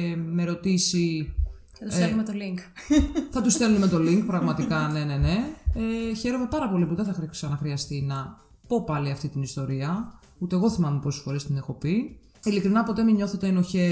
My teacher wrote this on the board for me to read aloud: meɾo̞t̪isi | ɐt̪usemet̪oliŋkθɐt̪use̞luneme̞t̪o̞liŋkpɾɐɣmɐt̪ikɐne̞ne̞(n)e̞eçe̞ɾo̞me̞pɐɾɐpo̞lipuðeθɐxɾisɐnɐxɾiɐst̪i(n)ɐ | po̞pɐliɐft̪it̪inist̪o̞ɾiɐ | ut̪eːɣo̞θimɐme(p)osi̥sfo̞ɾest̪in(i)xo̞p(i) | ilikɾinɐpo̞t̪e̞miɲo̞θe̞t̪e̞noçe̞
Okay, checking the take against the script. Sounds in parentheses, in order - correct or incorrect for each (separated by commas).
correct, correct, correct, incorrect, correct